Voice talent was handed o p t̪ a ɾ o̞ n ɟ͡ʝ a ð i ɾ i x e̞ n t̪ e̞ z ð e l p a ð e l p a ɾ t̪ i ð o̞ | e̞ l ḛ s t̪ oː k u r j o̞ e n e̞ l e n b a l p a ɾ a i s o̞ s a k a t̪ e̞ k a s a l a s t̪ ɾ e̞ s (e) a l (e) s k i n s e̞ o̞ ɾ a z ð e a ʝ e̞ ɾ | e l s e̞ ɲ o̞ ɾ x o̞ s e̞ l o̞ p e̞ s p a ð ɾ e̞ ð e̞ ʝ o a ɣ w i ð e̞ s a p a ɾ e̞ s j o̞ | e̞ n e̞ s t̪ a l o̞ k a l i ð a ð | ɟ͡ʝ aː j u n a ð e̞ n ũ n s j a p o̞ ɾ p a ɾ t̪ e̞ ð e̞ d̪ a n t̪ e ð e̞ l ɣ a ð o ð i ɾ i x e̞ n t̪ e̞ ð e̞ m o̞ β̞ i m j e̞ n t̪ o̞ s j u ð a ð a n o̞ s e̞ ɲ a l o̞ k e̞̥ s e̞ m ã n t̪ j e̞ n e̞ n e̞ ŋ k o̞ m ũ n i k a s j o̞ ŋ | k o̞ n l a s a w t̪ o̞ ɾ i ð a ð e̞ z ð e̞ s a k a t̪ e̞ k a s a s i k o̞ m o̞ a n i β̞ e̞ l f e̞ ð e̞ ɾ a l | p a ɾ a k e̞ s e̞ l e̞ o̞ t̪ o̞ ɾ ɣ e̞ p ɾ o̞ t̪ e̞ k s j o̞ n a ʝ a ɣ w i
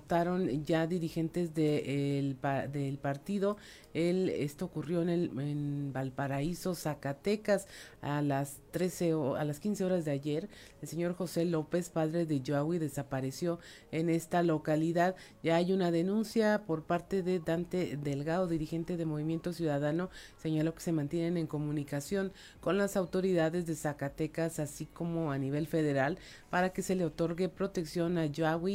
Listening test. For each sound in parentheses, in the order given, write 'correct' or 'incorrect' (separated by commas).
correct, incorrect